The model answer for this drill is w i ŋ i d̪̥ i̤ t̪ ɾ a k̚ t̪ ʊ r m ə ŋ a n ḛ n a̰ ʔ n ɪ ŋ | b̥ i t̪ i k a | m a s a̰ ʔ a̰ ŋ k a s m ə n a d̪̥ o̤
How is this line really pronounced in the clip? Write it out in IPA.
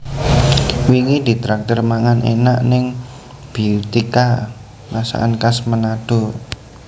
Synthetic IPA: w i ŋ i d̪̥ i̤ t̪ ɾ a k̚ t̪ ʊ r m a ŋ a n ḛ n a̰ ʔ n ɪ ŋ | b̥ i t̪ i k a | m a s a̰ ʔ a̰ n k a s m ə n a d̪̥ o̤